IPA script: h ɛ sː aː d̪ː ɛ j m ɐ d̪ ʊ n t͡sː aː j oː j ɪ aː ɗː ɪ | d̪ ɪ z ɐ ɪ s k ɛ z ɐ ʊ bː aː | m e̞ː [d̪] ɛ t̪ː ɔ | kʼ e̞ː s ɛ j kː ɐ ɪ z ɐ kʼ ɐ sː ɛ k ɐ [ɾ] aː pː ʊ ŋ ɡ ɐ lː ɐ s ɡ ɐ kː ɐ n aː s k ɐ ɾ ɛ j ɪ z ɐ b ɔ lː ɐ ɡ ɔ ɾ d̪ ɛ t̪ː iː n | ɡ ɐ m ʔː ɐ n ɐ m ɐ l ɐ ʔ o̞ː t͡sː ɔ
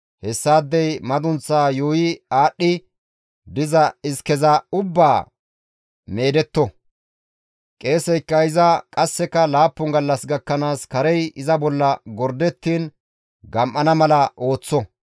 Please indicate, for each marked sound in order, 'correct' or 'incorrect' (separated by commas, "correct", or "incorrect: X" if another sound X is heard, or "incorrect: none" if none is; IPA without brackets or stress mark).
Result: correct, incorrect: l